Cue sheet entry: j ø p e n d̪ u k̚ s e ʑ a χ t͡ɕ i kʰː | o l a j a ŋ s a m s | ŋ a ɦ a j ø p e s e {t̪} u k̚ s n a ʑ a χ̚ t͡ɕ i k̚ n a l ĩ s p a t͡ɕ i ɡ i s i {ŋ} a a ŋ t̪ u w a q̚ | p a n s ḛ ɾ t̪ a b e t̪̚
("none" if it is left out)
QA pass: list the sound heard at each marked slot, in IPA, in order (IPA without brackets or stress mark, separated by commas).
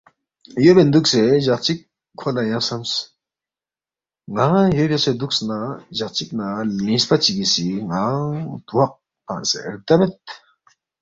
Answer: d̪, ŋ